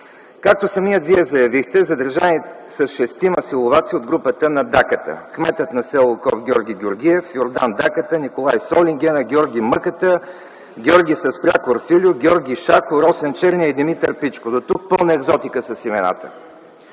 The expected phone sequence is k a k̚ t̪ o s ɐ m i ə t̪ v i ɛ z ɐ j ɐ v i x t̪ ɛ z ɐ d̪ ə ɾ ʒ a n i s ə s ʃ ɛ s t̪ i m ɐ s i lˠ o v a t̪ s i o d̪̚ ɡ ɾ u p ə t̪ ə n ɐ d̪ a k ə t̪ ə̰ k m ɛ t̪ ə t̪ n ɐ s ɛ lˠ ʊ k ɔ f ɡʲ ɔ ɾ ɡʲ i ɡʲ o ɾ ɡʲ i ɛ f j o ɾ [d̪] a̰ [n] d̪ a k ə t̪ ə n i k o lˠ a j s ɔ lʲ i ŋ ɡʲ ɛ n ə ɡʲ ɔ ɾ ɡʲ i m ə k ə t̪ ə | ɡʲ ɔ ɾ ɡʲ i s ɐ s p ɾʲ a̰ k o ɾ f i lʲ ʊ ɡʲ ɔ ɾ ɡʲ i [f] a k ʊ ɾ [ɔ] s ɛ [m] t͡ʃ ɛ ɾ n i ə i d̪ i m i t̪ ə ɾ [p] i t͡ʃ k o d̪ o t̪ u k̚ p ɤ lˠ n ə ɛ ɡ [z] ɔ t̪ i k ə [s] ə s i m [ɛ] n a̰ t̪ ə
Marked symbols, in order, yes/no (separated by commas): yes, yes, no, yes, no, yes, yes, yes, yes